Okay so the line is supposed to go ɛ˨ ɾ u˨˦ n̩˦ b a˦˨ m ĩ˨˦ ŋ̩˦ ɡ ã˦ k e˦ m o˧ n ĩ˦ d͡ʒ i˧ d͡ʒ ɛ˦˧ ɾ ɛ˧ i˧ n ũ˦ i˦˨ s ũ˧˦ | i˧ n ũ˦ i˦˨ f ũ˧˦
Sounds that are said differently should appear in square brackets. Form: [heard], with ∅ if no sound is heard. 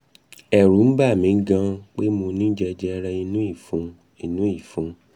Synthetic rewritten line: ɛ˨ ɾ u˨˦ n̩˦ b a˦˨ m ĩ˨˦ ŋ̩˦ ɡ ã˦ [k͡p] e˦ m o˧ n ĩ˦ d͡ʒ [ɛ˧] d͡ʒ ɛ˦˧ ɾ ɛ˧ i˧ n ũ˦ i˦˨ [f] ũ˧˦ | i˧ n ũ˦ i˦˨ f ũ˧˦